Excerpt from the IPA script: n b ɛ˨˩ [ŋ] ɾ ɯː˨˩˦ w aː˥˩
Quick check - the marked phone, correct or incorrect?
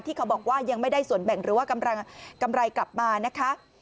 correct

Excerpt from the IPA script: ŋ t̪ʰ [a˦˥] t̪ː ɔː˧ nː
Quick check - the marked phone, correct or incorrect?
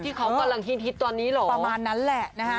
incorrect: i˦˥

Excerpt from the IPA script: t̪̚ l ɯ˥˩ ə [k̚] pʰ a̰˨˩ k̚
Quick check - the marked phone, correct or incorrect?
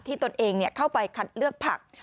correct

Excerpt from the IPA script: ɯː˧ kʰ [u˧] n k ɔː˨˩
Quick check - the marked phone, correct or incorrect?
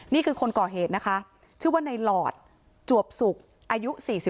incorrect: o˧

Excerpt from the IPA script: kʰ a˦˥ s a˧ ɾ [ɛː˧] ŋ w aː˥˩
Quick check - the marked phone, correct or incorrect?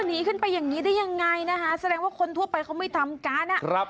correct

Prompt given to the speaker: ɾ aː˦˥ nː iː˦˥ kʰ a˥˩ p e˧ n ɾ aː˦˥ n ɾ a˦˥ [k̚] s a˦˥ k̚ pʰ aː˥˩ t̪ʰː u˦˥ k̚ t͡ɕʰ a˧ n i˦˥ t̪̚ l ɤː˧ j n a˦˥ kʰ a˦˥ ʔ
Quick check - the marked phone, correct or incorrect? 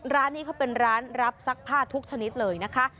incorrect: p̚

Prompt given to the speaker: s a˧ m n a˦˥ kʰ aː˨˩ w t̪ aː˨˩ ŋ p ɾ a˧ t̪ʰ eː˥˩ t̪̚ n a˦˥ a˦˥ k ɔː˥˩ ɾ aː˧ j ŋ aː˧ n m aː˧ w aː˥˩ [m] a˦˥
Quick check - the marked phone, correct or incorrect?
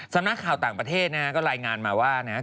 incorrect: n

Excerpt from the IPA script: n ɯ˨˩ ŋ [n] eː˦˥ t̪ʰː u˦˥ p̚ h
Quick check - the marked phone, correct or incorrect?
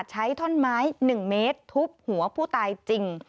incorrect: m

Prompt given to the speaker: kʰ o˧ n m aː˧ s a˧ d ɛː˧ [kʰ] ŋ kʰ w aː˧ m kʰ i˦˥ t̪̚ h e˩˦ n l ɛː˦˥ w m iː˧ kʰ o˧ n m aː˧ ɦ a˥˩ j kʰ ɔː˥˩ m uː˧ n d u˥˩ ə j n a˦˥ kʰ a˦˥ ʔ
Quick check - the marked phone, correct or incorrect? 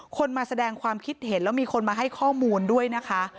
incorrect: none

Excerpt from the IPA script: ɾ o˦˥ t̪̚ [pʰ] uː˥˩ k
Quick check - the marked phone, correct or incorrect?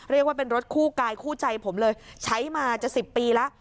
incorrect: kʰ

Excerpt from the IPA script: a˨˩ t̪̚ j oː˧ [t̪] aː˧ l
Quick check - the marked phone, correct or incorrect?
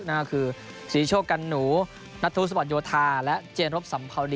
incorrect: t̪ʰ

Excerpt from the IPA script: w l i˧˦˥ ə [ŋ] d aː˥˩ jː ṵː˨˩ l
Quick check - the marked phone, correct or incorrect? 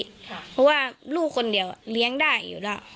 correct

